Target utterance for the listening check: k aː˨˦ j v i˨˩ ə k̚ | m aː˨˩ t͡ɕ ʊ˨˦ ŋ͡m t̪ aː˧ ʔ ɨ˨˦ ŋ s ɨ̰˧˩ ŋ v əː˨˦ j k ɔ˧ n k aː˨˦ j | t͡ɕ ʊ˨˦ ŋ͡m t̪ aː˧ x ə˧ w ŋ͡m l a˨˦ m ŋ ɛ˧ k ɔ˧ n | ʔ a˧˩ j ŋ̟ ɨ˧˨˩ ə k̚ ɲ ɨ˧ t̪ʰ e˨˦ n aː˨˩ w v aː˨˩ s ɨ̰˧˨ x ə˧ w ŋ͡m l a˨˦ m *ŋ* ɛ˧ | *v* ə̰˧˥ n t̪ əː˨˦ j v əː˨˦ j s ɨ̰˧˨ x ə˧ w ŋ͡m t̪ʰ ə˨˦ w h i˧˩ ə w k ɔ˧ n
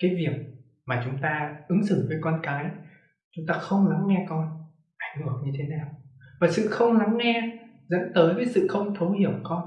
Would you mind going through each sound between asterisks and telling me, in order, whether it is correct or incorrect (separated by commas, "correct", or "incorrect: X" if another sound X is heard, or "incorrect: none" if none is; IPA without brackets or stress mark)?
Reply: correct, incorrect: z